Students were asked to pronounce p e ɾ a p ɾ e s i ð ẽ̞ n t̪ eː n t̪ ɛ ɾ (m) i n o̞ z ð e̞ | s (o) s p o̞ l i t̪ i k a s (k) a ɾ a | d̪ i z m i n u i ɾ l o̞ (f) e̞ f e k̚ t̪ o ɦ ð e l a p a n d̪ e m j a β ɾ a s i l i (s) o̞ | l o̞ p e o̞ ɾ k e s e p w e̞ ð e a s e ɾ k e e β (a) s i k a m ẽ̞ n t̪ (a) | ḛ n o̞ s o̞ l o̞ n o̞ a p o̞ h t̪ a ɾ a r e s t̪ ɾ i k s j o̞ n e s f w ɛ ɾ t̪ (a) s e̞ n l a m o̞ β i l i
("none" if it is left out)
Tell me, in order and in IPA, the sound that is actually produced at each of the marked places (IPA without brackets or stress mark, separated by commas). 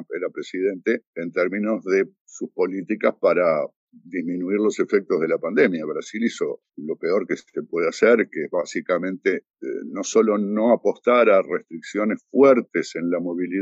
m, u, p, s, s, a, e, e